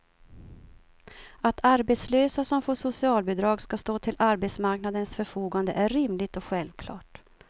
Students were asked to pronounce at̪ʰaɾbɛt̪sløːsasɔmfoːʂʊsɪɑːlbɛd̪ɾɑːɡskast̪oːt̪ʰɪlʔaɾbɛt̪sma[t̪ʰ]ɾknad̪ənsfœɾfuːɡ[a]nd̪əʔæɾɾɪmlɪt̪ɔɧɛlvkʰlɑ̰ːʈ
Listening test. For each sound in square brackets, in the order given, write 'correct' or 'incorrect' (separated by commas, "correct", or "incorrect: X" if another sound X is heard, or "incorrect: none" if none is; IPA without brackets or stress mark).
incorrect: none, correct